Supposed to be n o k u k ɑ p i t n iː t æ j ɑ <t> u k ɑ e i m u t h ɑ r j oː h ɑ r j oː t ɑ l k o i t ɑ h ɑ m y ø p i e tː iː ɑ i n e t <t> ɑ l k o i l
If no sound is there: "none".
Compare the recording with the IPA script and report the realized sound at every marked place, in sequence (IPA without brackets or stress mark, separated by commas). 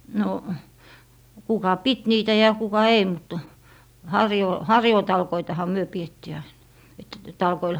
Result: k, t